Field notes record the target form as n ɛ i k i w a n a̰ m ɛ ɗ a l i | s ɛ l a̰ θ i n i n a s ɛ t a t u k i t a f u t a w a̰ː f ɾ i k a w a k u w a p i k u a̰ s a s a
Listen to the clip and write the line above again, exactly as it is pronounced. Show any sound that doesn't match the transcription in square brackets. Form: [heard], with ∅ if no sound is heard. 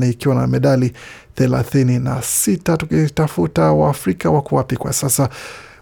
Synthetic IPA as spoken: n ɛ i k i w a n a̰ m ɛ ɗ a l i | [θ] ɛ l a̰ θ i n i n a s [i] t a t u k i t a f u t a w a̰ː f ɾ i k a w a k u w a p i k [w] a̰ s a s a